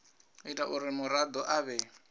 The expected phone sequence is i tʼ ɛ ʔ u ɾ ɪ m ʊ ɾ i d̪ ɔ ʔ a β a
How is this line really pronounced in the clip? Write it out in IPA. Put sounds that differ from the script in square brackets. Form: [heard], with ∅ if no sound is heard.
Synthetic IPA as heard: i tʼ [a] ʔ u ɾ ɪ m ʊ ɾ [a] d̪ ɔ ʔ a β [ɛ]